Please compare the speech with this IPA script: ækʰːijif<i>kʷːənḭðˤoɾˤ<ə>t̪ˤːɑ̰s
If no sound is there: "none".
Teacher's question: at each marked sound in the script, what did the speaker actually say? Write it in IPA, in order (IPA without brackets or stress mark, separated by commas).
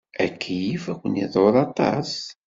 æ, ɑ